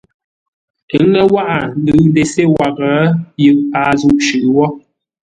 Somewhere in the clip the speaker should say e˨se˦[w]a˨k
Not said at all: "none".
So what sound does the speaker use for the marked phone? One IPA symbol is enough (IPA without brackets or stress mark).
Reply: w